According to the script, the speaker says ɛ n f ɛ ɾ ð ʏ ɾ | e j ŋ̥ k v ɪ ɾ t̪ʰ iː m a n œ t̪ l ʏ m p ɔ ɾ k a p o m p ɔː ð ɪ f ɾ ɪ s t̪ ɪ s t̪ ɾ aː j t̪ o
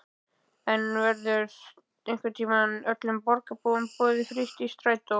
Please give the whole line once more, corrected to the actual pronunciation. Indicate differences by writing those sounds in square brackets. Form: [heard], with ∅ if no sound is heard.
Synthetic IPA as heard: ɛ n [v] ɛ ɾ ð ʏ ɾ | e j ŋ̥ k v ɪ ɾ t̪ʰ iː m a n œ t̪ l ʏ m p ɔ ɾ k a p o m p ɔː ð ɪ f ɾ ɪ s t̪ [i] s t̪ ɾ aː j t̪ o